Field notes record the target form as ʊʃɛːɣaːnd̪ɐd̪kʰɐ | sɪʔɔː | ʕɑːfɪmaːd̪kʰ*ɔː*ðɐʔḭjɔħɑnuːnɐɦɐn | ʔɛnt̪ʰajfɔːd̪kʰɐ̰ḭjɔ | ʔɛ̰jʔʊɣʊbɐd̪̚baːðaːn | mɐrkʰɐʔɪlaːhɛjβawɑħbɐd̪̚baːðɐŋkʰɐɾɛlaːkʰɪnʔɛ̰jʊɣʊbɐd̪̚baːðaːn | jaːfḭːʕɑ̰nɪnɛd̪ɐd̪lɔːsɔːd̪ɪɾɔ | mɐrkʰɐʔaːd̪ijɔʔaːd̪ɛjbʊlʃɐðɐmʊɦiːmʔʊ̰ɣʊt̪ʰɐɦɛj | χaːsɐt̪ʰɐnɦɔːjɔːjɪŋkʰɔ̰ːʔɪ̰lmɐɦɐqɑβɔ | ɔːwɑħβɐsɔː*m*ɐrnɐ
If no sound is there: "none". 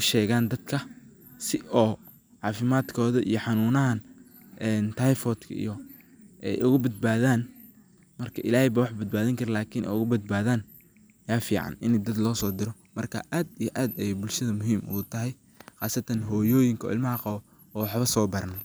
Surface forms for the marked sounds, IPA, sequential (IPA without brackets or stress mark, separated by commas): ɔː, b